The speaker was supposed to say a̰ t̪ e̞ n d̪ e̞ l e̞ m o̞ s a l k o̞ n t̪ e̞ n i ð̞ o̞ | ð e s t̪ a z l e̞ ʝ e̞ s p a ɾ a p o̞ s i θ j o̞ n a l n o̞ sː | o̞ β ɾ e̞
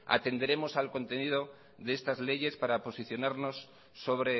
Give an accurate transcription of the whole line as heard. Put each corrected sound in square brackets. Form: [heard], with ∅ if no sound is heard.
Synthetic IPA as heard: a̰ t̪ e̞ n d̪ e̞ [ɾ] e̞ m o̞ s a l k o̞ n t̪ e̞ n i ð̞ o̞ | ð e s t̪ a z l e̞ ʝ e̞ s p a ɾ a p o̞ s i θ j o̞ n a [ɾ] n o̞ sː | o̞ β ɾ e̞